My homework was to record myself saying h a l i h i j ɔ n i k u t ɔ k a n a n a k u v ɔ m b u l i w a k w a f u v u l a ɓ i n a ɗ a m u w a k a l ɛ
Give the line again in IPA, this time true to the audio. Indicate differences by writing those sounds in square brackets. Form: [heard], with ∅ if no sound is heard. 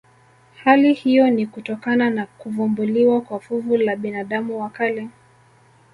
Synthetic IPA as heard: h a l i h i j ɔ n i k u t ɔ k a n a n a k u v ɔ m b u l i w a k w a f u v u l a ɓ i n a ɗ a m u w a k a l ɛ

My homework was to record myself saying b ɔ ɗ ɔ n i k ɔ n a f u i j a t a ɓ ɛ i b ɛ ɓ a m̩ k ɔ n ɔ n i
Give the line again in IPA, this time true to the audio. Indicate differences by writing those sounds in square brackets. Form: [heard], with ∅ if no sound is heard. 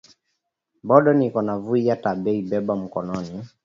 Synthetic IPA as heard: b ɔ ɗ ɔ n i k ɔ n a [v] u i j a t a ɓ ɛ i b ɛ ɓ a m̩ k ɔ n ɔ n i

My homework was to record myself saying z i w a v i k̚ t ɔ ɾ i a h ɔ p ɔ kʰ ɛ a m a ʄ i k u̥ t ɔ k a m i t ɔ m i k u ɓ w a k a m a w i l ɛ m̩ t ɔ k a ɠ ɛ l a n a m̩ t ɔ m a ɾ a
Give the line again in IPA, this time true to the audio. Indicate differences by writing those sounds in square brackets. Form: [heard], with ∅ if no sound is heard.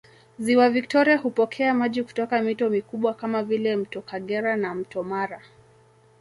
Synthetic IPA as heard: z i w a v i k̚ t ɔ ɾ i a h [u] p ɔ kʰ ɛ a m a ʄ i k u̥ t ɔ k a m i t ɔ m i k u ɓ w a k a m a [v] i l ɛ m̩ t ɔ k a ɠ ɛ [ɾ] a n a m̩ t ɔ m a ɾ a

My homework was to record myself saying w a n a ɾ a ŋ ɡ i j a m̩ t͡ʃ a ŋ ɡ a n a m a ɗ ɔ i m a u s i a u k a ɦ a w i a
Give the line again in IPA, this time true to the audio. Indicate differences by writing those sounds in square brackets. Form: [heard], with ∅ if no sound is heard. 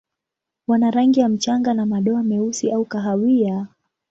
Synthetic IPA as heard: w a n a ɾ a ŋ ɡ i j a m̩ t͡ʃ a ŋ ɡ a n a m a ɗ ɔ [a] m [ɛ] u s i a u k a ɦ a w i a

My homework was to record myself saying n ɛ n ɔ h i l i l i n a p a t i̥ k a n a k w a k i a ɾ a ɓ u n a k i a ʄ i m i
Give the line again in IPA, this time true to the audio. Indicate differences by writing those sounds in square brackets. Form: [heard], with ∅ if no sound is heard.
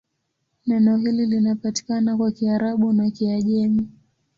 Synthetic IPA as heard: n ɛ n ɔ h i l i l i n a p a t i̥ k a n a k w a k i a ɾ a ɓ u n a k i a ʄ [ɛ] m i

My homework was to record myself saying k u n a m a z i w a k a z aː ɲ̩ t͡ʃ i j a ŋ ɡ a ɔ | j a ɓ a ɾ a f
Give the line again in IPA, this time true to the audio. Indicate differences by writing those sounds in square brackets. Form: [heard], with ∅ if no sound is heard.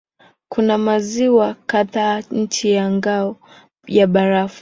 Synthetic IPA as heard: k u n a m a z i w a k a [ð] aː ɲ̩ t͡ʃ i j a ŋ ɡ a ɔ | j a ɓ a ɾ a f

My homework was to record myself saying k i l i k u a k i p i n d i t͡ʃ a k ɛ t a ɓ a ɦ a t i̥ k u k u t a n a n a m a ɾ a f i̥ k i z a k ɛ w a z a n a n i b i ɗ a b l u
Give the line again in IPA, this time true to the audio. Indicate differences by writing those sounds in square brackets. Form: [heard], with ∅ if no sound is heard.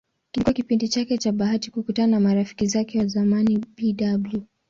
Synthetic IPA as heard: k i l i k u a k i p i n d i t͡ʃ a k ɛ [t͡ʃ] a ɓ a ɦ a t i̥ k u k u t a n a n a m a ɾ a f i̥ k i z a k ɛ w a z a [m] a n i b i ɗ a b l u

